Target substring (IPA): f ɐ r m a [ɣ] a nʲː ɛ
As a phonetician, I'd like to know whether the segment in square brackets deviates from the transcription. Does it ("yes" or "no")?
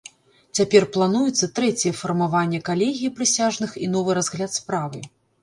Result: yes